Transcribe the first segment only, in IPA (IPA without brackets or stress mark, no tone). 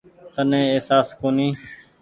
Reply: t̪